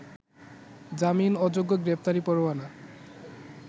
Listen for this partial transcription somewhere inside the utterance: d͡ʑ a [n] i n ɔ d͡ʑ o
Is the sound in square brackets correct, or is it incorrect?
incorrect